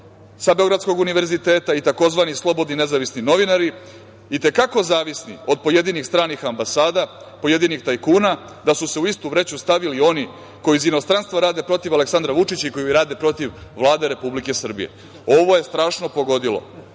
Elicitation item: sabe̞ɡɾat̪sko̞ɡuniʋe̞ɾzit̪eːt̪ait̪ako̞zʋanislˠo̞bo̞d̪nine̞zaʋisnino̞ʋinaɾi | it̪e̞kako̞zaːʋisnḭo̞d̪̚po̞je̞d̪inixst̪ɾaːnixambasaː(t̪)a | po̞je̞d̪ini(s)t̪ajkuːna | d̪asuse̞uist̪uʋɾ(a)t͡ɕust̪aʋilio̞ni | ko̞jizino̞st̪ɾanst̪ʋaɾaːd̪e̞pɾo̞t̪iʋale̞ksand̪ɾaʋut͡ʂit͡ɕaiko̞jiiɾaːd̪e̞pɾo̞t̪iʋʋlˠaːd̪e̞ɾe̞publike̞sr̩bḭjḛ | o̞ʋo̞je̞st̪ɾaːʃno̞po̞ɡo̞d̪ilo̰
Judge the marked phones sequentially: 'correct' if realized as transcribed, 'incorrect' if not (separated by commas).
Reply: incorrect, incorrect, incorrect